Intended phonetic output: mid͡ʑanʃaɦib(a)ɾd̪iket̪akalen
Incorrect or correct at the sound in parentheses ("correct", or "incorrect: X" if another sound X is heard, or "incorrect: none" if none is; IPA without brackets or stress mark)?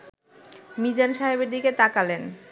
incorrect: e